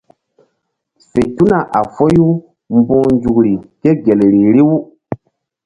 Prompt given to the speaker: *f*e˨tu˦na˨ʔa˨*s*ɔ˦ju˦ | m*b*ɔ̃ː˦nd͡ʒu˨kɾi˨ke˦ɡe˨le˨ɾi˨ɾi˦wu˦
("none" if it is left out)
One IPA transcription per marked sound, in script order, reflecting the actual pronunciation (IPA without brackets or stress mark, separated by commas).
s, f, b